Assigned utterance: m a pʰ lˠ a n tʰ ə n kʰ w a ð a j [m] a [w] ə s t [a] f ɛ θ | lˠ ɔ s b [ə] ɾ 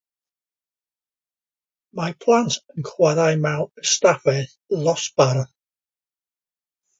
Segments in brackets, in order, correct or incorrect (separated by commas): correct, correct, correct, incorrect